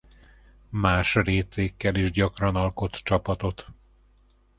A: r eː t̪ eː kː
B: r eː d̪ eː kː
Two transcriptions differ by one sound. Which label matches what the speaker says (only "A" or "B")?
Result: A